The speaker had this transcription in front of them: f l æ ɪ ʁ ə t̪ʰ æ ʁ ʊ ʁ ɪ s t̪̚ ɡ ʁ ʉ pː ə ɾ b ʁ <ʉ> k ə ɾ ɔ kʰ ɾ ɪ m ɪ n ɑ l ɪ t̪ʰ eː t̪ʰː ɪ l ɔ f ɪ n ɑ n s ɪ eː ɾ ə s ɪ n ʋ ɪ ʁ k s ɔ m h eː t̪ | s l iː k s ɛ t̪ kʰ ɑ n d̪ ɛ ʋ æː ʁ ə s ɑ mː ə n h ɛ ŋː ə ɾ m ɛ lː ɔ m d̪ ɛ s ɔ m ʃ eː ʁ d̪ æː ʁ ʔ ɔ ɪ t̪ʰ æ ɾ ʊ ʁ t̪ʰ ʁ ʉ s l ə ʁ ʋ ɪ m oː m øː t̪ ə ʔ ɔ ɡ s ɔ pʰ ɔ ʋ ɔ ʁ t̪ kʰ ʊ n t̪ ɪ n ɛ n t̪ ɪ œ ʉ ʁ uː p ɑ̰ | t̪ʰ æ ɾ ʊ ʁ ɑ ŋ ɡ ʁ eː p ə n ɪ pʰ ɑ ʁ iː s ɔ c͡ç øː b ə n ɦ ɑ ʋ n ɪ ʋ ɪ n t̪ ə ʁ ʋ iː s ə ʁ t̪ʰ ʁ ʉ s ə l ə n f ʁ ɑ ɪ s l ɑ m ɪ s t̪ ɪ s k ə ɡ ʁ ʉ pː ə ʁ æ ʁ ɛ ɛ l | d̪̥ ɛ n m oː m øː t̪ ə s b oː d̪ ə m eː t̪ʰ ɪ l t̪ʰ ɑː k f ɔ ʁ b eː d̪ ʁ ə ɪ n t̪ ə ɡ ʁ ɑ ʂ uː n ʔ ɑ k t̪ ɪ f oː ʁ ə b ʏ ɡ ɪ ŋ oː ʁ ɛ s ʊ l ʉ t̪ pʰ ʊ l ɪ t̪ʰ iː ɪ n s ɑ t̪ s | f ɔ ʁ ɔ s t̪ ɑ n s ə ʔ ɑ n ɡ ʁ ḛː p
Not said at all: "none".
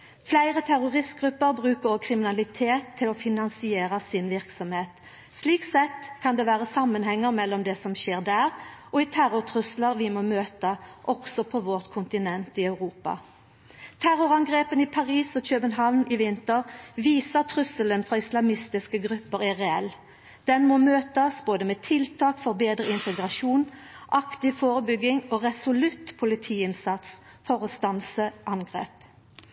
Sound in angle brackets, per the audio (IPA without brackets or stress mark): ʉː